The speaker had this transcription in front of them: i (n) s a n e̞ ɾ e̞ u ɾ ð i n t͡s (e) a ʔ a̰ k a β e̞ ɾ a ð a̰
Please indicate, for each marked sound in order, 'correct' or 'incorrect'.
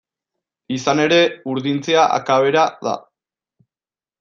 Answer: incorrect, correct

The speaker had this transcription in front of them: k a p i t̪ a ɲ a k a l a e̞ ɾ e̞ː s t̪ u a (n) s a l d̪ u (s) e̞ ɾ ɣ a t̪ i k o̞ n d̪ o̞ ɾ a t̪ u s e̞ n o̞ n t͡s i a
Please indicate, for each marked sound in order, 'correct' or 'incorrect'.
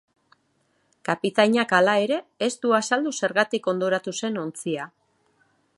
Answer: incorrect, correct

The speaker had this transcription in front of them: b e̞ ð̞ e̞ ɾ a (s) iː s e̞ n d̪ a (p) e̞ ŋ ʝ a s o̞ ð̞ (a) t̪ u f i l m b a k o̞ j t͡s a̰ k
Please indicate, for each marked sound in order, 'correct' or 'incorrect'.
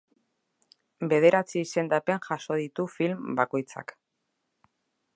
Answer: incorrect, correct, incorrect

